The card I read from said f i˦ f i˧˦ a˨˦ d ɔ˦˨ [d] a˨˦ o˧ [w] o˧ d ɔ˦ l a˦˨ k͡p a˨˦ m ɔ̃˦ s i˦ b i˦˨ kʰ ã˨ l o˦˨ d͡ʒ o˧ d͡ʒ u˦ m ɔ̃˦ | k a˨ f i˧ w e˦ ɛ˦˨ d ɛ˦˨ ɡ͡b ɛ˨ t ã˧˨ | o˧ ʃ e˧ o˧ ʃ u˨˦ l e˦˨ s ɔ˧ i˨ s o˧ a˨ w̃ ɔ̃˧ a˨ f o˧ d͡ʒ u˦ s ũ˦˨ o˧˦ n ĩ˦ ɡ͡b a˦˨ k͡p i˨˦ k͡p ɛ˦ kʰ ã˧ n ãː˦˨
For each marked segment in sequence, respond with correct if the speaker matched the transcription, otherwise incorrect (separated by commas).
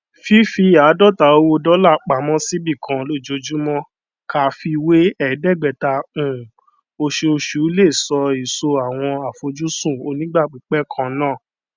incorrect, correct